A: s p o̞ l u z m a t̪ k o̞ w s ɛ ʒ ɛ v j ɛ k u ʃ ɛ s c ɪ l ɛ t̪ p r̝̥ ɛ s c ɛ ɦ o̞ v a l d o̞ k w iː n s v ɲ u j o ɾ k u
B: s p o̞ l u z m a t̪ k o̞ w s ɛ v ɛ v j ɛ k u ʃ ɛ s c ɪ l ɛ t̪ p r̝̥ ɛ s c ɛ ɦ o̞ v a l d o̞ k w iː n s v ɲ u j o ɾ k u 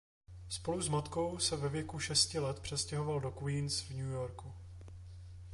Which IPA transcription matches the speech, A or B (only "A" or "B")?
B